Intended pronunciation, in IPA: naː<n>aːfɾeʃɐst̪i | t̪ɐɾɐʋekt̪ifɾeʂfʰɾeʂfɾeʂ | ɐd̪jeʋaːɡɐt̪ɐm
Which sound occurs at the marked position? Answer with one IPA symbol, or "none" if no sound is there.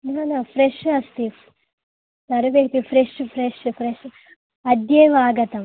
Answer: n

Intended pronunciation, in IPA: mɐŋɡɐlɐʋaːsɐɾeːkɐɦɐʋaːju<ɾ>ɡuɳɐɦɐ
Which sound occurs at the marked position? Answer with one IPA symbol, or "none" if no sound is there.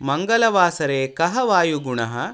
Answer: none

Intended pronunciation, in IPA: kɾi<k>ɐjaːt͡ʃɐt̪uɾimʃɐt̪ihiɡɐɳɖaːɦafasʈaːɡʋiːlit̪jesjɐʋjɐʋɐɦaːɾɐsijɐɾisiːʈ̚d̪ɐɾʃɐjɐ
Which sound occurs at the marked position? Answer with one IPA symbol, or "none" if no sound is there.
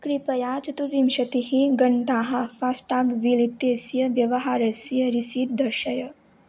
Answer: p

